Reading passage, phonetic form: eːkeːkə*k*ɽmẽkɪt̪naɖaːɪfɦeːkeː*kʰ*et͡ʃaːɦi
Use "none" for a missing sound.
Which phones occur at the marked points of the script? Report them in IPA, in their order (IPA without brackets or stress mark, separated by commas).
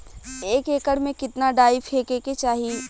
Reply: none, k